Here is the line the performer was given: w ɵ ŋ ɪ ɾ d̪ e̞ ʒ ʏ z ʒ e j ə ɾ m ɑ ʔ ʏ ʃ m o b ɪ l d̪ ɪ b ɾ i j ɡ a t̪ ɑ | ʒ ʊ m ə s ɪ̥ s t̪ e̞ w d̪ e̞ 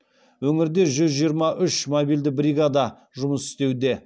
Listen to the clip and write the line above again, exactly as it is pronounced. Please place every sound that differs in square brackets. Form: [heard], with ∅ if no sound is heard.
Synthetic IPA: w ɵ ŋ ɪ ɾ d̪ e̞ ʒ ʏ z ʒ [i] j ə ɾ m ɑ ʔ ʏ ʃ m o b [i] l d̪ ɪ b ɾ i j ɡ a [d̪] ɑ | ʒ ʊ m ə s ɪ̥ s t̪ e̞ w d̪ e̞